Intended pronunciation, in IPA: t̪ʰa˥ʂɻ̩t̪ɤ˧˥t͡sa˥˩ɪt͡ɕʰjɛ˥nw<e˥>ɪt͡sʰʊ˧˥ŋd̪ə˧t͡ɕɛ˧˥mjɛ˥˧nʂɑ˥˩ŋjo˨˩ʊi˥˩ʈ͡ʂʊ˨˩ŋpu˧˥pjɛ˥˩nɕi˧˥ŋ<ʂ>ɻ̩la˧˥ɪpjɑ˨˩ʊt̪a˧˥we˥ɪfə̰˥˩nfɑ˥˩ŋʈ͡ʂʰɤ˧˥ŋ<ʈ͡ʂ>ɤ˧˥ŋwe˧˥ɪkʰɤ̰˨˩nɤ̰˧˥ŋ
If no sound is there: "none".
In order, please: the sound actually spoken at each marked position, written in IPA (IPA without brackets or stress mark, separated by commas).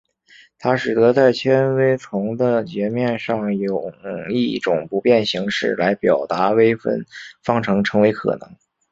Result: e˥, ʂ, ʈ͡ʂʰ